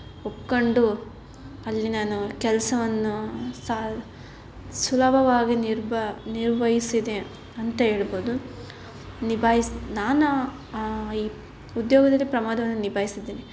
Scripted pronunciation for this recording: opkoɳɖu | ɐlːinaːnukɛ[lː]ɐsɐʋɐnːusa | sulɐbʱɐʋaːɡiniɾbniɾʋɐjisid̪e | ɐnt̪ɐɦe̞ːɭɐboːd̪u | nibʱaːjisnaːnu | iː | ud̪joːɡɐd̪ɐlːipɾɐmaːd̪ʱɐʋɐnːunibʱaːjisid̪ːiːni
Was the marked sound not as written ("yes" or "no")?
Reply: yes